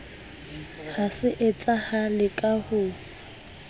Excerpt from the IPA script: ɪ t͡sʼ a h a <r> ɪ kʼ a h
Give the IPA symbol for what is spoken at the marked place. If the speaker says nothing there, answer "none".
l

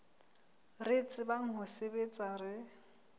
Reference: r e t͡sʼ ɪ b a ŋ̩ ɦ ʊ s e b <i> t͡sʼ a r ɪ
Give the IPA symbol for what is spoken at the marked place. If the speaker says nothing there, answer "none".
e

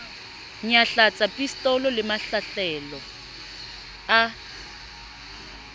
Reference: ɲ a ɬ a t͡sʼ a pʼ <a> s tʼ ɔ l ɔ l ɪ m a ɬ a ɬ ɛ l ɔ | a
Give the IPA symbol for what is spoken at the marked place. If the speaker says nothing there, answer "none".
i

